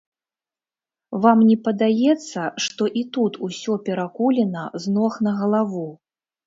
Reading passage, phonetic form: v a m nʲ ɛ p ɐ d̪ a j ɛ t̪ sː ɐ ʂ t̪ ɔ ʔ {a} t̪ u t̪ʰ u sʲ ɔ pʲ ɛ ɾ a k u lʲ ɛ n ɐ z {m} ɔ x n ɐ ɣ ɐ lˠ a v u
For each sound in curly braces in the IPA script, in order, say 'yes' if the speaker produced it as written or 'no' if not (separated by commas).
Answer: no, no